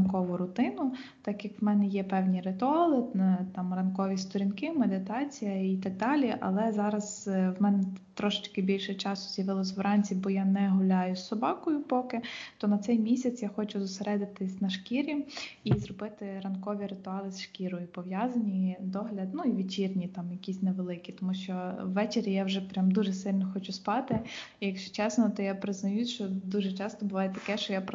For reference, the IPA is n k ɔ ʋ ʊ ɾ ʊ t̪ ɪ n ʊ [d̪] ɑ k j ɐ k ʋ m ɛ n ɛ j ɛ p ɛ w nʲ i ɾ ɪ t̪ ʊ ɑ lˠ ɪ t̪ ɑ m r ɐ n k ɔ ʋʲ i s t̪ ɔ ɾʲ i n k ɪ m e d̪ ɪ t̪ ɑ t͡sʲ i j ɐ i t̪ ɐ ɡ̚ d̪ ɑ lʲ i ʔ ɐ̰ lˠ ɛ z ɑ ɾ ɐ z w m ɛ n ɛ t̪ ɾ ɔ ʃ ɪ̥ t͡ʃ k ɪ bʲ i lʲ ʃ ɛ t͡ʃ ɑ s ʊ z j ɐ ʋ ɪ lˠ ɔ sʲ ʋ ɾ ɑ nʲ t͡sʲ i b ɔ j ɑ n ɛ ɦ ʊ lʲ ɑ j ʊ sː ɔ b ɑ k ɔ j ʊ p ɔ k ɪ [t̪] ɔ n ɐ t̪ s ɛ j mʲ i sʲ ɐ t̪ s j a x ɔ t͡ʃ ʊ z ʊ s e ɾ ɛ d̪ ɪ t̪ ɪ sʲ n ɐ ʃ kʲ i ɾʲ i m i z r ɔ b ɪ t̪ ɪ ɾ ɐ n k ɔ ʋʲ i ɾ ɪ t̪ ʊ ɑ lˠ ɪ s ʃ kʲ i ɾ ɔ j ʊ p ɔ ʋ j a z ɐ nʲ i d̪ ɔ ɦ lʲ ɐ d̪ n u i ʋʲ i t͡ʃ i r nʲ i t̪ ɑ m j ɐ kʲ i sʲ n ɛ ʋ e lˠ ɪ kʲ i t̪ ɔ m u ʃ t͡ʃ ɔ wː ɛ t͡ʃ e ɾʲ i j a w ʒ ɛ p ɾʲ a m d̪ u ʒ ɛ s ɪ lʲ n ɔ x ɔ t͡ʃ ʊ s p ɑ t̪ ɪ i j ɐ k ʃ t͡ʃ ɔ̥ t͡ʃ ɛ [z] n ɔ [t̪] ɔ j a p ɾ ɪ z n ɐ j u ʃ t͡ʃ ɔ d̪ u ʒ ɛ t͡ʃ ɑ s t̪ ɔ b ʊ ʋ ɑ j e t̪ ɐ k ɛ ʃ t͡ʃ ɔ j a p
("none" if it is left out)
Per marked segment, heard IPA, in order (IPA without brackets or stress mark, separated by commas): t̪, t̪, s, t̪